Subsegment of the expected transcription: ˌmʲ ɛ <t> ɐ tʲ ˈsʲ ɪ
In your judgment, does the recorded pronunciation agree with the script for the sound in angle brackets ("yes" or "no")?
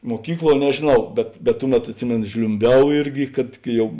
yes